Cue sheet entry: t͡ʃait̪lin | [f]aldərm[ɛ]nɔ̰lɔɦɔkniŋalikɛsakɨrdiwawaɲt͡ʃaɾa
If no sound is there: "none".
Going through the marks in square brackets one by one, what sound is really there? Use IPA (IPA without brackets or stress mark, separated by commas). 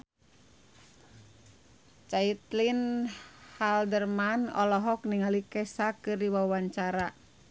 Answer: h, a